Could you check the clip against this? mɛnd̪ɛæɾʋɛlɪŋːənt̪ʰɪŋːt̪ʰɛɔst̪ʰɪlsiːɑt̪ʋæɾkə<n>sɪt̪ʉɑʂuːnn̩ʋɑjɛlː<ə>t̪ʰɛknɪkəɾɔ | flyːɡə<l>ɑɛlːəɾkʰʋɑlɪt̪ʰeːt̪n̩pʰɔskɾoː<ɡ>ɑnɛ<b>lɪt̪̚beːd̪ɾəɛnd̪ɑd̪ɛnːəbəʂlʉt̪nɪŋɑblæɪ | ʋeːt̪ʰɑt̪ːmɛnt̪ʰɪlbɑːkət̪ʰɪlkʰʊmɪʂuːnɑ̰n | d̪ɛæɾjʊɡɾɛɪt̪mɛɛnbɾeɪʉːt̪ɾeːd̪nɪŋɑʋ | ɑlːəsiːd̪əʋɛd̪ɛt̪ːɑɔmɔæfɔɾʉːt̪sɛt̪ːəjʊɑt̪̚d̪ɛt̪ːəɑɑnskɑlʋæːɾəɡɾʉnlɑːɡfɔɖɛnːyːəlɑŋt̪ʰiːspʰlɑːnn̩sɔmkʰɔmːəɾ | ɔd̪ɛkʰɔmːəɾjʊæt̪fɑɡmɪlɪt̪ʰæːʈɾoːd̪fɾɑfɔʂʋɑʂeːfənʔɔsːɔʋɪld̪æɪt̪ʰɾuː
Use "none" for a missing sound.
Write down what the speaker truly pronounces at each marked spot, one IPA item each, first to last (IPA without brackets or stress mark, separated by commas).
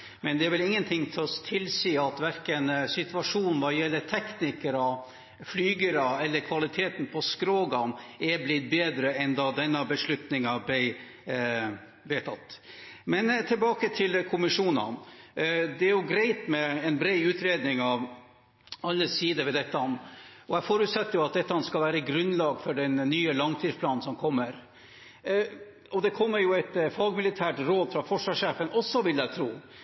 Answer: n, ə, ɾ, ɡ, b